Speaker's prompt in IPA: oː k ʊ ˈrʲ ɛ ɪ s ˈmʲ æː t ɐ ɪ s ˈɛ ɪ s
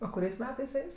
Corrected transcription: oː k ʊ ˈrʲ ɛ ɪ s ˈmʲ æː t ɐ ɪ s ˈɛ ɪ s